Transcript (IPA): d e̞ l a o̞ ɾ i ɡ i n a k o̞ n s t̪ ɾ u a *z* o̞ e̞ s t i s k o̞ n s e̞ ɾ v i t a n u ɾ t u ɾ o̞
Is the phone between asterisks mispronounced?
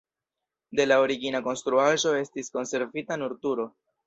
yes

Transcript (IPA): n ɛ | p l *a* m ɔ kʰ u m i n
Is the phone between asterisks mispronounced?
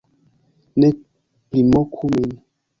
yes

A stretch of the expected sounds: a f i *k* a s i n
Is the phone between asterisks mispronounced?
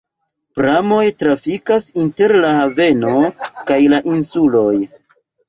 no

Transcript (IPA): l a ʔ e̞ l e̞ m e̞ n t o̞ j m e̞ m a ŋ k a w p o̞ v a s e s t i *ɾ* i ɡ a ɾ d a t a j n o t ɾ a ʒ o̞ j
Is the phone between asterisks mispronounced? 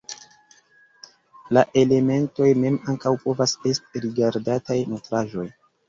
no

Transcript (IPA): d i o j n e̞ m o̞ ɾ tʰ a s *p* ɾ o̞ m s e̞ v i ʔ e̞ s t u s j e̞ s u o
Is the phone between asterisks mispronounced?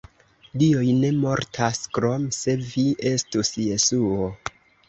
yes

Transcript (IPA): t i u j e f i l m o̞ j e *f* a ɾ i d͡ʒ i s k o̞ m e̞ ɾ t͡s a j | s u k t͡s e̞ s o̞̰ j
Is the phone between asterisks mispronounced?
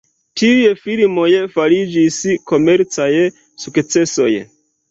no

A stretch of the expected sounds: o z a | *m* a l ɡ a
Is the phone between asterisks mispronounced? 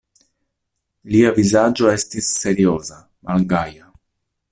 no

